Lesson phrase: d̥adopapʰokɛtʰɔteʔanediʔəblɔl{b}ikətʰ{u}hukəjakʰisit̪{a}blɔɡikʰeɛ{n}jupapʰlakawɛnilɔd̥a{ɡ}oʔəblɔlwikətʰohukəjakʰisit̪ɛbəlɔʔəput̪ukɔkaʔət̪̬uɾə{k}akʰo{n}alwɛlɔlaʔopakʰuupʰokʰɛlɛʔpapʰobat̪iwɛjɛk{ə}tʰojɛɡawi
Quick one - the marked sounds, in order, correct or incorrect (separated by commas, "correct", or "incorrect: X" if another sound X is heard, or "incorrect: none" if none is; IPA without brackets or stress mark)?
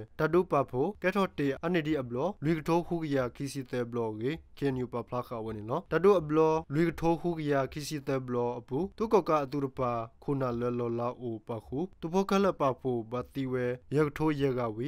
incorrect: w, incorrect: o, incorrect: ɛ, correct, incorrect: d, incorrect: p, correct, correct